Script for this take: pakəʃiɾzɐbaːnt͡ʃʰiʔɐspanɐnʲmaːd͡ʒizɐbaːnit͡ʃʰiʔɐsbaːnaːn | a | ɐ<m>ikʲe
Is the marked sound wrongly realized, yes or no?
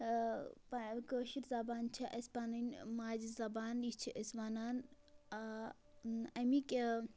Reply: no